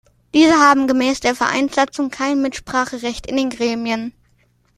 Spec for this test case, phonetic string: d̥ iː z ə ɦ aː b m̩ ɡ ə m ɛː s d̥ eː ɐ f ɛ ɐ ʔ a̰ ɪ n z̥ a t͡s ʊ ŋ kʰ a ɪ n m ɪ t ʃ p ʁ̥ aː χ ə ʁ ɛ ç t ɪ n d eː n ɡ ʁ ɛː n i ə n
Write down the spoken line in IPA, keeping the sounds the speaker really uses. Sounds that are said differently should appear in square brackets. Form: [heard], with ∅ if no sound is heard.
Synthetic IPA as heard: d̥ iː z ə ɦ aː b m̩ ɡ ə m ɛː s d̥ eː ɐ f ɛ ɐ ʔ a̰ ɪ n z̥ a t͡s ʊ ŋ kʰ a ɪ n m ɪ t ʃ p ʁ̥ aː χ ə ʁ ɛ ç t ɪ n d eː n ɡ ʁ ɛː [m] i ə n